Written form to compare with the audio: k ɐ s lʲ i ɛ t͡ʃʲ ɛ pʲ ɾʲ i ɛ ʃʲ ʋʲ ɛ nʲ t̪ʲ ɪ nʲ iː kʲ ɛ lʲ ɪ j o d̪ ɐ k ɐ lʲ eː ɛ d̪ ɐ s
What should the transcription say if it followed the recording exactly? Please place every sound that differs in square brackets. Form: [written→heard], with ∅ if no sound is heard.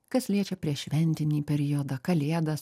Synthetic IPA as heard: k ɐ s lʲ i ɛ t͡ʃʲ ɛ pʲ ɾʲ i ɛ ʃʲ ʋʲ ɛ nʲ t̪ʲ ɪ nʲ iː [kʲ→pʲ] ɛ [lʲ→ɾʲ] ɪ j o d̪ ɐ k ɐ lʲ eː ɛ d̪ ɐ s